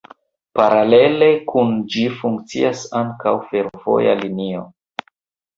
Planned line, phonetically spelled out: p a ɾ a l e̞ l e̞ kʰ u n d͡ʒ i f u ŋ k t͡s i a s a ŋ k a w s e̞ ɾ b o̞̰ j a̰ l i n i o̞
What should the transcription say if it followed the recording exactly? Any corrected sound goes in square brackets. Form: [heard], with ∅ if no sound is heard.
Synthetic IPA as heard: p a ɾ a l e̞ l e̞ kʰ u n d͡ʒ i f u ŋ k t͡s i a s a ŋ k a w [f] e̞ ɾ [v] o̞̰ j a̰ l i n i o̞